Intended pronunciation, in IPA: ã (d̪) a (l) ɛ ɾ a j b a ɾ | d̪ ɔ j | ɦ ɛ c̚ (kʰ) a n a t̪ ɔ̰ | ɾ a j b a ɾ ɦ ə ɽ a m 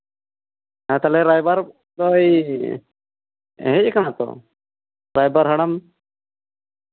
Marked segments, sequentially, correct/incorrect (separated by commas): incorrect, correct, incorrect